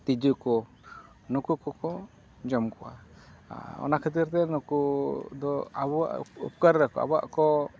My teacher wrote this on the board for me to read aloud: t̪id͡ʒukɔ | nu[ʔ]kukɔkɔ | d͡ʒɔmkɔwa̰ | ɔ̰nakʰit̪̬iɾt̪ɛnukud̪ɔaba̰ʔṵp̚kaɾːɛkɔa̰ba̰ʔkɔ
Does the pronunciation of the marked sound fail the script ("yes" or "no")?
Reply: yes